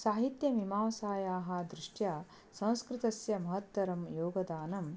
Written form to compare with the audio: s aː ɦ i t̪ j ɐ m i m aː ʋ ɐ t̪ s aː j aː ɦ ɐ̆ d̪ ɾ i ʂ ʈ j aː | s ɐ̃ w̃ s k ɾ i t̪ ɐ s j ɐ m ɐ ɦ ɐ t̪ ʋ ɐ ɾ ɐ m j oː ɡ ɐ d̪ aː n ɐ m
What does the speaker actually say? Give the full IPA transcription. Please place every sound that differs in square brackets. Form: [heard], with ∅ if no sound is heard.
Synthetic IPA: s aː ɦ i t̪ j ɐ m i m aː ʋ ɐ [∅] s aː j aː ɦ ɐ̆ d̪ ɾ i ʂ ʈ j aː | s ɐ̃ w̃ s k ɾ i t̪ ɐ s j ɐ m ɐ ɦ ɐ t̪ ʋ ɐ ɾ ɐ m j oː ɡ ɐ d̪ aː n ɐ m